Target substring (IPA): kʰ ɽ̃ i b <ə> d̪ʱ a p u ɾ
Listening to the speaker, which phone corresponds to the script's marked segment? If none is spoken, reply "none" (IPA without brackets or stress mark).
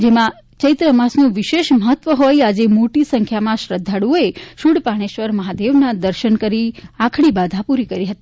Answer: a